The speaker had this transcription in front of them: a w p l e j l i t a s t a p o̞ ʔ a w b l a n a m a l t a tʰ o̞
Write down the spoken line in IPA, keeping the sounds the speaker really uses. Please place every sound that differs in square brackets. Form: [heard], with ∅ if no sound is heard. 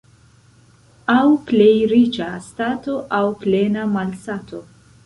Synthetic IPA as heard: a w p l e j [ɾ] i [t͡ʃ] a s t a [t] o̞ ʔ a w [p] l [e] n a m a l [s] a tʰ o̞